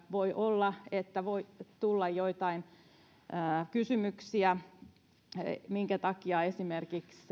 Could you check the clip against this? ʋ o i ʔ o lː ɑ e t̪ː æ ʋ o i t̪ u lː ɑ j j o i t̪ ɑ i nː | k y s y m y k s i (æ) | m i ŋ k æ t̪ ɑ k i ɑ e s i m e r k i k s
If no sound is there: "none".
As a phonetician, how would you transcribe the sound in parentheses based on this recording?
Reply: æ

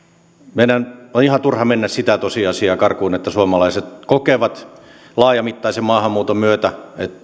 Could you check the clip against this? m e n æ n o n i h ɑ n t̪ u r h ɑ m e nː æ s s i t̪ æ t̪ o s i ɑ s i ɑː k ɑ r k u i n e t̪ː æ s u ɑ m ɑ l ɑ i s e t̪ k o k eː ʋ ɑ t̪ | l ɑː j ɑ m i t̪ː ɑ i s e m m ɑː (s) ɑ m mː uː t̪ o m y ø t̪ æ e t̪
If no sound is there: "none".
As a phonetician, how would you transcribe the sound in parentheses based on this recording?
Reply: h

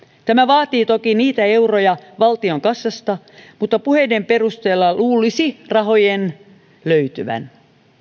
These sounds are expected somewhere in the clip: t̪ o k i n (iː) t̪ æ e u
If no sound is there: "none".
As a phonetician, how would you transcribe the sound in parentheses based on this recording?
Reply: iː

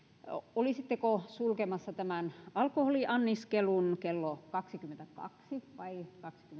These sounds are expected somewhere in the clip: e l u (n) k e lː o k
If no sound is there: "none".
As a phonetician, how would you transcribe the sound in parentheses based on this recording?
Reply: n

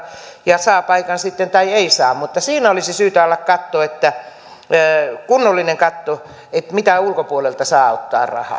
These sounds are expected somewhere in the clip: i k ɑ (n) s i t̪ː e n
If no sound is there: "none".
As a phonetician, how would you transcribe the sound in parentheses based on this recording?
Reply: n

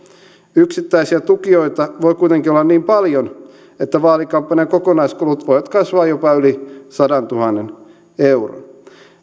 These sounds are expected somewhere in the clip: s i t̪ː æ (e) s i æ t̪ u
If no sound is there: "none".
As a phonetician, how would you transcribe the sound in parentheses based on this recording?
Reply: i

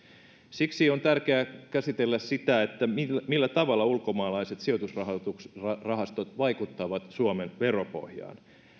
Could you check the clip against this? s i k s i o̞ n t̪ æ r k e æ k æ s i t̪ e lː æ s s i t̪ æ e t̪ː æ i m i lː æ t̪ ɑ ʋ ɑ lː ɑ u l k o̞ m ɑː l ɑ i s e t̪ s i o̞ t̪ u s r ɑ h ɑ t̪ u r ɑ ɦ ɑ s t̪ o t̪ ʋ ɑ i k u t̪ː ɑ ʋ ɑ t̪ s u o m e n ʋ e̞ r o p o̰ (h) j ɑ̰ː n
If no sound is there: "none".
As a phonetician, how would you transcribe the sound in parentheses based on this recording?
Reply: h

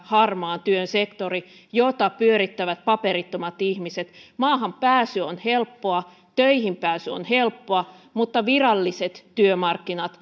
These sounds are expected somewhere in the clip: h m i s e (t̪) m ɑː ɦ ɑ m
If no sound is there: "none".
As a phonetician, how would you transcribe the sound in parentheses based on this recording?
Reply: t̪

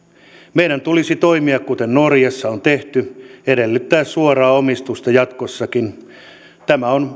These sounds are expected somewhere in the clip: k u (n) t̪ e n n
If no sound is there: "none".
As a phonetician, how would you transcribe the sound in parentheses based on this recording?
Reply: none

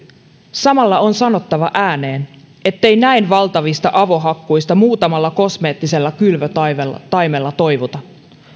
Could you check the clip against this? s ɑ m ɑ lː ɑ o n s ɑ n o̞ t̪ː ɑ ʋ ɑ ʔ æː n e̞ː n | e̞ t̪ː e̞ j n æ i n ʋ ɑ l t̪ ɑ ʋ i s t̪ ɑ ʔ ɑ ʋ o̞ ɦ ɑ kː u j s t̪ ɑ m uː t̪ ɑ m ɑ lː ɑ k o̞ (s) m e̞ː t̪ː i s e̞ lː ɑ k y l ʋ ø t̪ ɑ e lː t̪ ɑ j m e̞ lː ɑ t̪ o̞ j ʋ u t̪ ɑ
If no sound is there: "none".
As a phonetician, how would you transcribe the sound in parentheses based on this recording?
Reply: s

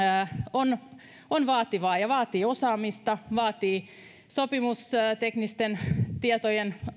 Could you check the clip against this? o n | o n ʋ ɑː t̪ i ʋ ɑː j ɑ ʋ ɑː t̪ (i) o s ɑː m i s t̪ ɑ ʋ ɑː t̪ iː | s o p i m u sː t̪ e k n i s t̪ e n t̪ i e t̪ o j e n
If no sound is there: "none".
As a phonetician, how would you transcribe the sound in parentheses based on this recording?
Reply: iː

